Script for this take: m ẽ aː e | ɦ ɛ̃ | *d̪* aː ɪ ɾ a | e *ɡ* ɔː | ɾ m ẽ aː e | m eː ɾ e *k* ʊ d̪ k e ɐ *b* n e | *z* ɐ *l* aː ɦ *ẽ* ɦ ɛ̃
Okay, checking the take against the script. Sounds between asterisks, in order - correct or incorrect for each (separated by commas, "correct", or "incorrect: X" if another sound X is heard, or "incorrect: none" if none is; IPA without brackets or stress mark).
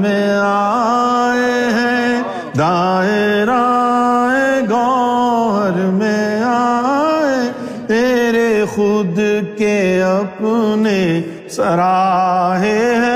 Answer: correct, correct, incorrect: x, incorrect: p, incorrect: s, incorrect: ɾ, incorrect: e